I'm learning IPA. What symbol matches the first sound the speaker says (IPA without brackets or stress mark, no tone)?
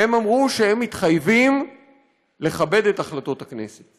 e